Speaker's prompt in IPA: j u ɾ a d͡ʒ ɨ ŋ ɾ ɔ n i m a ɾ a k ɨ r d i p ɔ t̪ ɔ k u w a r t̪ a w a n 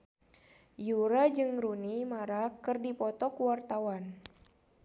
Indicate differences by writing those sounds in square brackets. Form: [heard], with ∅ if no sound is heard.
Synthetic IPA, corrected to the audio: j u ɾ a d͡ʒ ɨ ŋ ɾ [u] n i m a ɾ a k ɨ r d i p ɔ t̪ ɔ k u w a r t̪ a w a n